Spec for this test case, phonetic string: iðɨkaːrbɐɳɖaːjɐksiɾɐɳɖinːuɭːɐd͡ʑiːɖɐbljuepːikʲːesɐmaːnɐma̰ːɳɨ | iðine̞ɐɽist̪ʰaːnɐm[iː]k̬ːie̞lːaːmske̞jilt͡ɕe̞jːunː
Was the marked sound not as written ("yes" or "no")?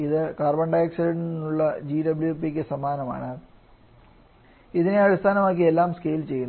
yes